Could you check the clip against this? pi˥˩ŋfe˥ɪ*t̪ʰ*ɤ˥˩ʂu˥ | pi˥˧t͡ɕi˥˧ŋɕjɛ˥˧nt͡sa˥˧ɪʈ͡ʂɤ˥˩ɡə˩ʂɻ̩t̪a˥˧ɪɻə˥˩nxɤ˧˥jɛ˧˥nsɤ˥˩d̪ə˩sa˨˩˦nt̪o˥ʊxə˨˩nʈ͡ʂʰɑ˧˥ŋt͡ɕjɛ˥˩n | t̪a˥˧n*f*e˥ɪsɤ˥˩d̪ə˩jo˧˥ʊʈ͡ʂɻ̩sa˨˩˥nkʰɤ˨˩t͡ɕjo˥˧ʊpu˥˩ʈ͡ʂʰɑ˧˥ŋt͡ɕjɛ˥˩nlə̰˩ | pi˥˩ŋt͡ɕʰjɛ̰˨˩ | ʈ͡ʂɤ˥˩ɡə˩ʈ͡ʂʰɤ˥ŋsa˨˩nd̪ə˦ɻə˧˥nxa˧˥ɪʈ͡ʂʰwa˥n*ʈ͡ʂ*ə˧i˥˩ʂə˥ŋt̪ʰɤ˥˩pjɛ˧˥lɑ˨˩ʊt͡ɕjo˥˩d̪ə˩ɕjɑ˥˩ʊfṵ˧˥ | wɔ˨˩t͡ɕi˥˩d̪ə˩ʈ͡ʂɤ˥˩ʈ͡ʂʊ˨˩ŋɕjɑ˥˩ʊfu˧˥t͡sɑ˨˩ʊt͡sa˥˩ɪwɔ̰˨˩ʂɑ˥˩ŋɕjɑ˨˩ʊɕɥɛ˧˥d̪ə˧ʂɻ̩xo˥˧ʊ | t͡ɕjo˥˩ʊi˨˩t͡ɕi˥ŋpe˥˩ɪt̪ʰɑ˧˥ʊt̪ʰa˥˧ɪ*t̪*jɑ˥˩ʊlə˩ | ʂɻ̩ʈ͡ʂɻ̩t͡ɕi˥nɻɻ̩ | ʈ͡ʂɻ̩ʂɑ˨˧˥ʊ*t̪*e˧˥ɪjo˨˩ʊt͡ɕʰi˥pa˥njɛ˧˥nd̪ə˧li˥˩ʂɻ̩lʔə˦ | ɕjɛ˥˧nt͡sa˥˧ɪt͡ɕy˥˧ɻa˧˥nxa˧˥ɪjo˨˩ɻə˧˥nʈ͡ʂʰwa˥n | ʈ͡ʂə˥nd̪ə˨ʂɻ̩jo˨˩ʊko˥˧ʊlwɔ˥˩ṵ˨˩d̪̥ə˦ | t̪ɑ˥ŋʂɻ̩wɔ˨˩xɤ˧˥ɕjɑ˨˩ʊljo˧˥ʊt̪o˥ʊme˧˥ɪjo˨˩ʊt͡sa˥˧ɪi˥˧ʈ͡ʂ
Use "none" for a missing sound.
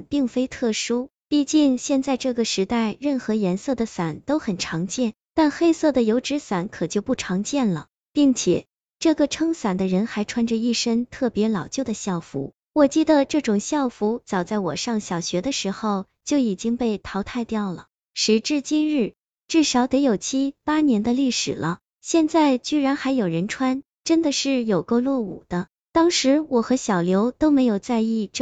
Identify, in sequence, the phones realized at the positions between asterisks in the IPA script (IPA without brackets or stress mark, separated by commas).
t̪ʰ, x, ʈ͡ʂ, t̪, t̪